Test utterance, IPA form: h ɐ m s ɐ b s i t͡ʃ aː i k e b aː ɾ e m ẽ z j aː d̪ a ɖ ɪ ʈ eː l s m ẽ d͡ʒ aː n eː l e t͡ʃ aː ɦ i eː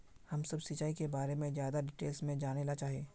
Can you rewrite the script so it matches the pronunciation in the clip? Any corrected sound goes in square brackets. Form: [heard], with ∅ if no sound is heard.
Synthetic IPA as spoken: h ɐ m s ɐ b s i t͡ʃ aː i k e b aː ɾ e m ẽ z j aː d̪ a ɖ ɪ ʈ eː l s m ẽ d͡ʒ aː n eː l [a] t͡ʃ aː ɦ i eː